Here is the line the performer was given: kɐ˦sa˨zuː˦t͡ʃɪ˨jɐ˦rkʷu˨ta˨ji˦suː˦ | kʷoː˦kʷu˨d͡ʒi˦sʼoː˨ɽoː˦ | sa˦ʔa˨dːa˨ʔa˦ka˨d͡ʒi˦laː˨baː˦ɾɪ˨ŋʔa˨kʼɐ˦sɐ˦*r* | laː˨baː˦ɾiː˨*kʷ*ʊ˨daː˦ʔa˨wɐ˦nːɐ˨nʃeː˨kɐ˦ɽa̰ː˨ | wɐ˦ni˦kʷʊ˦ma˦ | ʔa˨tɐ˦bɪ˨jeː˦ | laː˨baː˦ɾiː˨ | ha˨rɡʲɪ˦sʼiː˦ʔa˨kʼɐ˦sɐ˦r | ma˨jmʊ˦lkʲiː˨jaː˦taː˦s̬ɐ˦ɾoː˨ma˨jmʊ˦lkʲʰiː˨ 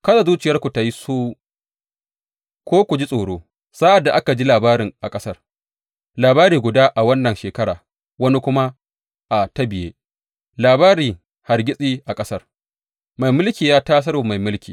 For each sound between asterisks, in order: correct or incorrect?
correct, incorrect: ɡʷ

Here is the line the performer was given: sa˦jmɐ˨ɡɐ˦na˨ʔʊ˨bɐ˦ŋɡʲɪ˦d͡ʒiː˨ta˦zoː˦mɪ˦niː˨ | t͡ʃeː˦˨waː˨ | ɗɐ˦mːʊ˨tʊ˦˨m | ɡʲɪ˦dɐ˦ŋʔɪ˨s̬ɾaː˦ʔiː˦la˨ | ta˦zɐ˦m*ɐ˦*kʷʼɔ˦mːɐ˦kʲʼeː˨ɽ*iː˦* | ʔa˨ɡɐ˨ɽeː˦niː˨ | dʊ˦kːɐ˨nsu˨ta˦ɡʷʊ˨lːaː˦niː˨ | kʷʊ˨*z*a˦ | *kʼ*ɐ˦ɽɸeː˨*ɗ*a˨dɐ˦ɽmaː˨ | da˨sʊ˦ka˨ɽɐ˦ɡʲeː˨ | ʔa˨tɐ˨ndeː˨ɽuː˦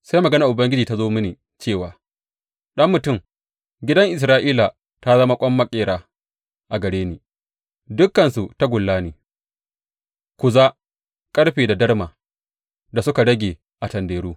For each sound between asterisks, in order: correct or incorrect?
incorrect: a˦, incorrect: aː˦, correct, correct, incorrect: d

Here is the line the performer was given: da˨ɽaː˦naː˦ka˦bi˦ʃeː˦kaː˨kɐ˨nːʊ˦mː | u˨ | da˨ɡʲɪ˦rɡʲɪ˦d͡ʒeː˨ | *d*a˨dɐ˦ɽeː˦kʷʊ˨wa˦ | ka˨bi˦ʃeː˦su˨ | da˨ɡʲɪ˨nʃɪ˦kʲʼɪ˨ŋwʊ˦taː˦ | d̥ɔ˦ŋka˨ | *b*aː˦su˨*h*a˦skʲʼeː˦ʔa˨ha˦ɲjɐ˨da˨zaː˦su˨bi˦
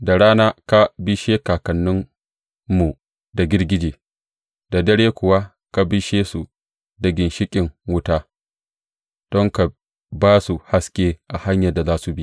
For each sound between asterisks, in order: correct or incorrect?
correct, correct, correct

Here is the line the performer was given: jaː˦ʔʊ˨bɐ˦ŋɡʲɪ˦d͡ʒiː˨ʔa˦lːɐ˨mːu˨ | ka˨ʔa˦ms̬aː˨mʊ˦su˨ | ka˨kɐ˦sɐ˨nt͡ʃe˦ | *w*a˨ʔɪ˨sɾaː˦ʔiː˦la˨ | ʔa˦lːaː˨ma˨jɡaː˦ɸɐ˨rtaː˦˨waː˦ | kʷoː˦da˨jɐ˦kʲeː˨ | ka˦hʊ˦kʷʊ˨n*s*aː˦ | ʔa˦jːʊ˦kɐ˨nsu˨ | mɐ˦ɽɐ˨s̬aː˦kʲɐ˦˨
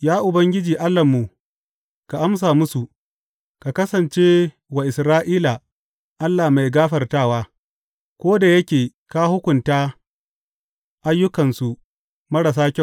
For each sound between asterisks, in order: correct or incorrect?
correct, incorrect: t

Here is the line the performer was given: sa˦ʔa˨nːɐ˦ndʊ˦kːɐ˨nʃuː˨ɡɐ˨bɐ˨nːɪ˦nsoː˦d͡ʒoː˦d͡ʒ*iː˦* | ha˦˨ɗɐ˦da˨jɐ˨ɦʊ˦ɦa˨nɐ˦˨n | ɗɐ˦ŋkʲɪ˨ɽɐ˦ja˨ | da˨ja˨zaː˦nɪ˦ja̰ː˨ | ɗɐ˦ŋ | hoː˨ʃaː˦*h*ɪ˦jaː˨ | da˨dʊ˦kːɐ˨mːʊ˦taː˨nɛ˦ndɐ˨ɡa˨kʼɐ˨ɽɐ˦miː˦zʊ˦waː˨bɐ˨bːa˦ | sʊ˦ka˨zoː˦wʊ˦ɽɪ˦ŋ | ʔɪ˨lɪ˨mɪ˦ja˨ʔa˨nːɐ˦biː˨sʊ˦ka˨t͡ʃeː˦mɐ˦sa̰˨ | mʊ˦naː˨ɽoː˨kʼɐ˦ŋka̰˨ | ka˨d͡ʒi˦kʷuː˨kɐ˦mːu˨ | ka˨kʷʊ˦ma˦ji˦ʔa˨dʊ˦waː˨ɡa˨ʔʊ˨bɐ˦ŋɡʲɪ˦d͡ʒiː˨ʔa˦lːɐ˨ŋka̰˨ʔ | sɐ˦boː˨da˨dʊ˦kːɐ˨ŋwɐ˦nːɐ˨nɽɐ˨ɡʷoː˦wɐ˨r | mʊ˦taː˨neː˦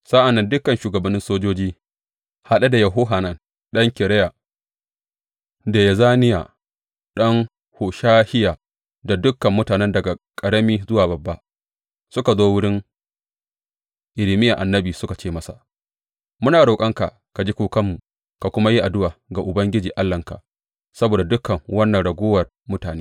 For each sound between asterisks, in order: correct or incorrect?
correct, correct

